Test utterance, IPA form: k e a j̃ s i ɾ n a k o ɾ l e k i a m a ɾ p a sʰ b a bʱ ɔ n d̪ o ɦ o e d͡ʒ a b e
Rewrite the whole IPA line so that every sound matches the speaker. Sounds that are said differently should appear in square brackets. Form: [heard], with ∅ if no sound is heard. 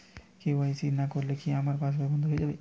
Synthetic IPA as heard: k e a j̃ s i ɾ n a k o ɾ l e k i a m a ɾ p a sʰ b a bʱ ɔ n d̪ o ɦ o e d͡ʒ a b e